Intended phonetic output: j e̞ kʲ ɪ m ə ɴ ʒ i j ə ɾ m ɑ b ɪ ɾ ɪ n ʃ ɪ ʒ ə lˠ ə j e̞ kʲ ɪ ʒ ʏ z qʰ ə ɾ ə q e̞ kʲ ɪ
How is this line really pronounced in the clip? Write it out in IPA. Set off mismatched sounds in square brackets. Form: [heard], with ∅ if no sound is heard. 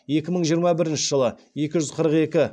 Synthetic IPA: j e̞ kʲ ɪ m ə ɴ ʒ i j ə ɾ m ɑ b ɪ ɾ ɪ n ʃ ɪ ʒ ə lˠ ə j e̞ kʲ ɪ ʒ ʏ z qʰ ə ɾ ə q e̞ kʲ ɪ